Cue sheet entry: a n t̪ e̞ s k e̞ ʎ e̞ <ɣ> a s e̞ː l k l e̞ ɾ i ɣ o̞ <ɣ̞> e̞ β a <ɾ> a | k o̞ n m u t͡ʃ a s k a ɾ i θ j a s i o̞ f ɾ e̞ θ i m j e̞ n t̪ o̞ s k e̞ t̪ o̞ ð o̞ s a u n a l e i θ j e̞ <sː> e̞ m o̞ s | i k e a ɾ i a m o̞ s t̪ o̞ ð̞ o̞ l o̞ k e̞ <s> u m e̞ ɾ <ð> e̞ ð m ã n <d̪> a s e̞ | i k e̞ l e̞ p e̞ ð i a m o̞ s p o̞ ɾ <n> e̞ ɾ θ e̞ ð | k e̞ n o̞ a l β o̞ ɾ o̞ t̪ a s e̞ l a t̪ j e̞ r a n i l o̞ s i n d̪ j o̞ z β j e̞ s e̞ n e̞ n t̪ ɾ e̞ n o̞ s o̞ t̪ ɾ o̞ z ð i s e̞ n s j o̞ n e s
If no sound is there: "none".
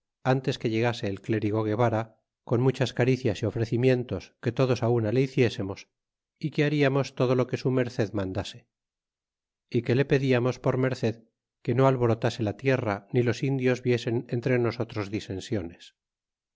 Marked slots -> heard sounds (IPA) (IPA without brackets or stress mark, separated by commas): ɣ, ɣ̞, ɾ, s, s, θ, d̪, m